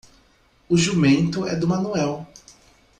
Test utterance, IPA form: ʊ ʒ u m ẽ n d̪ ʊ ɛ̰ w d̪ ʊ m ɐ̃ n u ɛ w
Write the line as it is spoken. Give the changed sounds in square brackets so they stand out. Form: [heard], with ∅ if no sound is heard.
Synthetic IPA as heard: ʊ ʒ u m ẽ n [t̪] ʊ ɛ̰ [∅] d̪ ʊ m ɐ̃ n u ɛ w